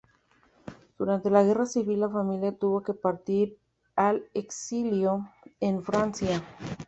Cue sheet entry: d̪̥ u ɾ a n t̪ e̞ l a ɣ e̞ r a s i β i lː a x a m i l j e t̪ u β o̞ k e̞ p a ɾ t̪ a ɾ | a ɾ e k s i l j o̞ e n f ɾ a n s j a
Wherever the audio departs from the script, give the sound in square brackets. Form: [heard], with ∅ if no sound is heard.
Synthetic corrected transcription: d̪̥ u ɾ a n t̪ e̞ l a ɣ e̞ r a s i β i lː a [f] a m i l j [a] t̪ u β o̞ k e̞ p a ɾ t̪ [i] ɾ | a [l] e k s i l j o̞ e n f ɾ a n s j a